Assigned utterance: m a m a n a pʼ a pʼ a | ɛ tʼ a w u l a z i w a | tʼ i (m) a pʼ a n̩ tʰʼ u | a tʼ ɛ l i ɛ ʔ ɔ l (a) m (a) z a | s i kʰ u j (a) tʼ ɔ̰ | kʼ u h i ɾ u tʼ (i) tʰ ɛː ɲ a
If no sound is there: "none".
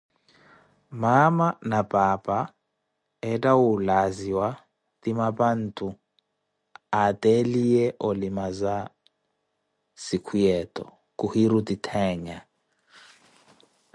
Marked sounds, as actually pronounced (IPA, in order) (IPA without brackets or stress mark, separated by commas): m, i, a, ɛ, i